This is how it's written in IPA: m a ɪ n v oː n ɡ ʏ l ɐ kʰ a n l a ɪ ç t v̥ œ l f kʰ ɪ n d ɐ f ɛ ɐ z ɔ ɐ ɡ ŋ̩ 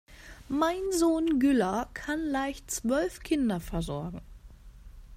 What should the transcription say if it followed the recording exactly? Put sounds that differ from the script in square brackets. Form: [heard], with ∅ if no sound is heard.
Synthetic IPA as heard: m a ɪ n [z] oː n ɡ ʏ l ɐ kʰ a n l a ɪ ç [t͡s] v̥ œ l f kʰ ɪ n d ɐ f ɛ ɐ z ɔ ɐ ɡ ŋ̩